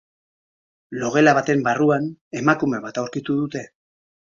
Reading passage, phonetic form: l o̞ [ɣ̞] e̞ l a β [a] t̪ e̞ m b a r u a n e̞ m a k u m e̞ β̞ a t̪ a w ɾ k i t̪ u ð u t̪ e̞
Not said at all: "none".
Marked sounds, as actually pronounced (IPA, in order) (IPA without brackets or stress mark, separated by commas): ɣ̞, a